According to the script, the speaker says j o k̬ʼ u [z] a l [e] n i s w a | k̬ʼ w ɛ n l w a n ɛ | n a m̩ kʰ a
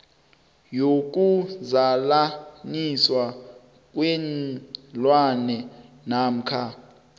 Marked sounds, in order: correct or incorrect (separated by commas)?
correct, incorrect